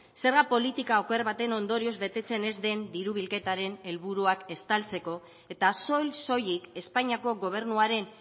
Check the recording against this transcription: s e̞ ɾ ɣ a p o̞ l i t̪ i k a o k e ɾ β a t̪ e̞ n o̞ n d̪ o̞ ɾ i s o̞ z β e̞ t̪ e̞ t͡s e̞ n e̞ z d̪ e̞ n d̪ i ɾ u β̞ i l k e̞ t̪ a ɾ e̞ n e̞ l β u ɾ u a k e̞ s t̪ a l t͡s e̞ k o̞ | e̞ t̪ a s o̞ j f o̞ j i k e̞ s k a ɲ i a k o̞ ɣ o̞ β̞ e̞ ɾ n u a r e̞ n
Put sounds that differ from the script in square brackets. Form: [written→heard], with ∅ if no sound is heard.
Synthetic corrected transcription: s e̞ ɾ ɣ a p o̞ l i t̪ i k a o k e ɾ β a t̪ e̞ n o̞ n d̪ o̞ ɾ i [s→∅] o̞ z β e̞ t̪ e̞ t͡s e̞ n e̞ z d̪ e̞ n d̪ i ɾ u β̞ i l k e̞ t̪ a ɾ e̞ n e̞ l β u ɾ u a k e̞ s t̪ a l t͡s e̞ k o̞ | e̞ t̪ a s o̞ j [f→s] o̞ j i k e̞ s [k→p] a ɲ i a k o̞ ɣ o̞ β̞ e̞ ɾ n u a [r→ɾ] e̞ n